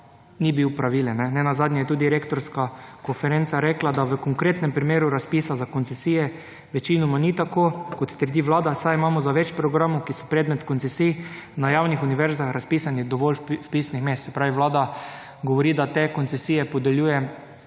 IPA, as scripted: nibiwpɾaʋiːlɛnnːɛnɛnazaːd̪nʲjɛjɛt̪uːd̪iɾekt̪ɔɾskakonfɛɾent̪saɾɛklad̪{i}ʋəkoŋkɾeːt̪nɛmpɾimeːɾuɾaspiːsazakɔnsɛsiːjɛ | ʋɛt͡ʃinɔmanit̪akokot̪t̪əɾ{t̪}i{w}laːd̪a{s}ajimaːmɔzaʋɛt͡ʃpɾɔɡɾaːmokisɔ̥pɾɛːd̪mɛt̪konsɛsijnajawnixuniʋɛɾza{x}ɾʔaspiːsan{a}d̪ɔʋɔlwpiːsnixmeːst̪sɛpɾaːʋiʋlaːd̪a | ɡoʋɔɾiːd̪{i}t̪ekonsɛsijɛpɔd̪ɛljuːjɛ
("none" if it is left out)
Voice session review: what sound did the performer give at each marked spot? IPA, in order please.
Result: a, d̪, ʋ, s, x, i, a

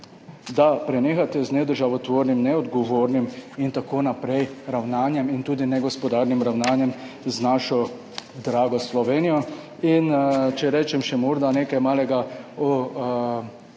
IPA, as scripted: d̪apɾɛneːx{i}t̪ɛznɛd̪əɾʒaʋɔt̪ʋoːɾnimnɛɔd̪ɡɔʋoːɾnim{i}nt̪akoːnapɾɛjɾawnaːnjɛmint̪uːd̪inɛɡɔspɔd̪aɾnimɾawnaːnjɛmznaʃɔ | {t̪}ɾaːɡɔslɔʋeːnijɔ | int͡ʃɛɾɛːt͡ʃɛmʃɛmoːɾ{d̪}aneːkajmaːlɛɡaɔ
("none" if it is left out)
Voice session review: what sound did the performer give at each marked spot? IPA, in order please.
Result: a, i, d̪, d̪

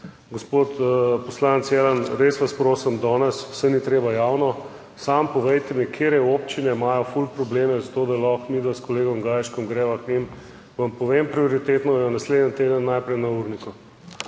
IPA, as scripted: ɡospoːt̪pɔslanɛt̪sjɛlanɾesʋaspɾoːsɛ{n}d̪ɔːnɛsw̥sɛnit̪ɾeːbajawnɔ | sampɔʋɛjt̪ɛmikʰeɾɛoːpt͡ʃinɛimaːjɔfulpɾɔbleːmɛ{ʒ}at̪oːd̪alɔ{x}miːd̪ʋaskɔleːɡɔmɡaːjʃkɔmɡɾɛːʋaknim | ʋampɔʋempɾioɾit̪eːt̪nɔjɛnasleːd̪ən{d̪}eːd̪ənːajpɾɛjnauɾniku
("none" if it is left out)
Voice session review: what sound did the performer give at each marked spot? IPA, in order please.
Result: m, z, x, t̪

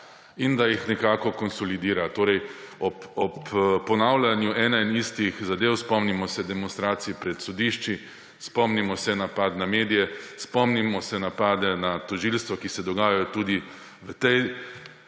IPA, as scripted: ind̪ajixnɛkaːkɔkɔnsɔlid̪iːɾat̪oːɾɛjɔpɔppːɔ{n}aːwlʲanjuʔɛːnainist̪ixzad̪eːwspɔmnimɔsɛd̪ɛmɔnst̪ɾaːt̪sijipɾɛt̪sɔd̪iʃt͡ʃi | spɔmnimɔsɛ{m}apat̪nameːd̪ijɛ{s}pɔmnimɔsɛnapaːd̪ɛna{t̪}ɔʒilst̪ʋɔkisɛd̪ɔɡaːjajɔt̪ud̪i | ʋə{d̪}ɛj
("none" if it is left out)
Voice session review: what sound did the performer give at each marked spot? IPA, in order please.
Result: n, n, s, t̪, t̪

